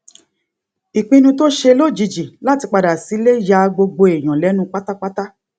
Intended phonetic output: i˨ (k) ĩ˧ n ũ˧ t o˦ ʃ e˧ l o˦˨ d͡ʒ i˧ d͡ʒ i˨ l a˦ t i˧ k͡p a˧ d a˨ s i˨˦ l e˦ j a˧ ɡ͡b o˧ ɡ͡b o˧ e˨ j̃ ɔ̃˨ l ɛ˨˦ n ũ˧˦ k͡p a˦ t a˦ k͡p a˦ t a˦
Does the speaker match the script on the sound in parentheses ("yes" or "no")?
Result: no